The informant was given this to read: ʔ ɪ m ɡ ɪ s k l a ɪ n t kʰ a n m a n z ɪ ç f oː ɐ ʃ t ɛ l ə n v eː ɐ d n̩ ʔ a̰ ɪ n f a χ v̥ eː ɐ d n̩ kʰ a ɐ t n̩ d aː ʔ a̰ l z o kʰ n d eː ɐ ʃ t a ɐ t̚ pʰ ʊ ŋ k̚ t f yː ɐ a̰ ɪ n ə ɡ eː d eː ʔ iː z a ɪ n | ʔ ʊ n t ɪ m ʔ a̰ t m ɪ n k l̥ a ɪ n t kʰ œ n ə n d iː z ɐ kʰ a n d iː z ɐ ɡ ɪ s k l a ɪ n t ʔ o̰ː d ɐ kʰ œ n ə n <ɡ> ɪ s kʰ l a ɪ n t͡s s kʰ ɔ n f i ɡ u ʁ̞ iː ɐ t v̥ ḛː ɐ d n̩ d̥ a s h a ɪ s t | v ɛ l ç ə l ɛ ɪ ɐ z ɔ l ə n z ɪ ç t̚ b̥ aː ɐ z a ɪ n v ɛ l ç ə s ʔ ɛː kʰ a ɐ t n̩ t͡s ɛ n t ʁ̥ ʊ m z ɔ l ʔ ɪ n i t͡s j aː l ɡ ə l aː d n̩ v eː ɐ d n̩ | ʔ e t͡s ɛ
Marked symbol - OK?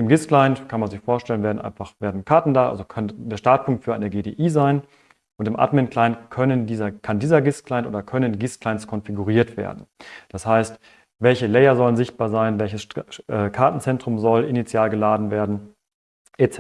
yes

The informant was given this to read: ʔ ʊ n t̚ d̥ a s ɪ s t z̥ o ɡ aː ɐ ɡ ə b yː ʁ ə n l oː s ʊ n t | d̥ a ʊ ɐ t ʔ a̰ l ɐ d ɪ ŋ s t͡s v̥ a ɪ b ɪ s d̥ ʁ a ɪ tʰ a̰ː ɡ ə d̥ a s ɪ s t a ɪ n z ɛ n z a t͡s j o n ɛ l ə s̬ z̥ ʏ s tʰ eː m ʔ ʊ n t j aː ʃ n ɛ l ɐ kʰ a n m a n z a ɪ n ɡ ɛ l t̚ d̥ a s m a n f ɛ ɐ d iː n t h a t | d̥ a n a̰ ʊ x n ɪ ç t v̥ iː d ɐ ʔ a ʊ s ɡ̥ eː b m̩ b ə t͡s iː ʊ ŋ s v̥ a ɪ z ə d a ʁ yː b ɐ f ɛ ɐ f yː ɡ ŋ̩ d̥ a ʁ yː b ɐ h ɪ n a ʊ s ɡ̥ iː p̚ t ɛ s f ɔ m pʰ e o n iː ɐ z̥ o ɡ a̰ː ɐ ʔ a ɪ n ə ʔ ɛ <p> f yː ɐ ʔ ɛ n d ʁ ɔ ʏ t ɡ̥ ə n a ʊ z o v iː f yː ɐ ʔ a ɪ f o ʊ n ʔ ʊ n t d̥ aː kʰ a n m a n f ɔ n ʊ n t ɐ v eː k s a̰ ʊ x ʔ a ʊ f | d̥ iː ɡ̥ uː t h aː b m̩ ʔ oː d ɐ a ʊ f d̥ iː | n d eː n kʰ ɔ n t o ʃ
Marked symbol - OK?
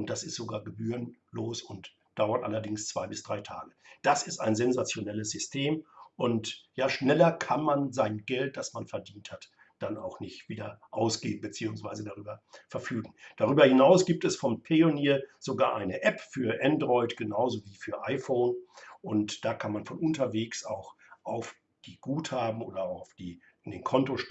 yes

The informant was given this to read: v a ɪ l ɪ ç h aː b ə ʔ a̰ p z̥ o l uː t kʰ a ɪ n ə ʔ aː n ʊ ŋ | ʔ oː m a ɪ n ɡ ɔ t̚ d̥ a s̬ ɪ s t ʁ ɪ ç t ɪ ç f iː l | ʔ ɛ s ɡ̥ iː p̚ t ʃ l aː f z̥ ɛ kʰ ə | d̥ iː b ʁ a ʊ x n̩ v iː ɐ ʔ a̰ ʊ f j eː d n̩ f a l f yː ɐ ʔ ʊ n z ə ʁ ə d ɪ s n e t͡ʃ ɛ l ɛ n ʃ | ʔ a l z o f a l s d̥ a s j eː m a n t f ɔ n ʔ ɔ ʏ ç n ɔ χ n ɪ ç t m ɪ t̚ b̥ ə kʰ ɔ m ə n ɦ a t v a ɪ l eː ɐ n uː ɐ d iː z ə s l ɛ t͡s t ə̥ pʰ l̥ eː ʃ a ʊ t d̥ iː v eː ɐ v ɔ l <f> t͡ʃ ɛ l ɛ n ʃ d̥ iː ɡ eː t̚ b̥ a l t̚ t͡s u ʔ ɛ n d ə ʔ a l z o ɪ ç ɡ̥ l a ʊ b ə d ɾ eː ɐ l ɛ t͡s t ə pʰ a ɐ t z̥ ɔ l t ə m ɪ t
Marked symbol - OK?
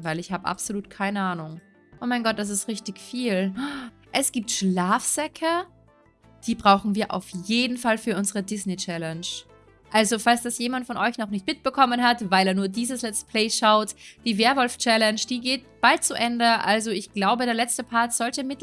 yes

